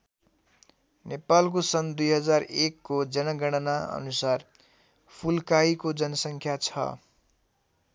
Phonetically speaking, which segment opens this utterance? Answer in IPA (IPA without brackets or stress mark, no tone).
n